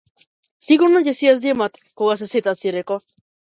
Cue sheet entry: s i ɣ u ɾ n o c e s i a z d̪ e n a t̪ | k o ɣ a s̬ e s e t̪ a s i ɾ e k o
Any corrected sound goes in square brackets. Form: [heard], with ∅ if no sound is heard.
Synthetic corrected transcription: s i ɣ u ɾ n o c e s i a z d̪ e [m] a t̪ | k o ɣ a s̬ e s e t̪ a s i ɾ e k o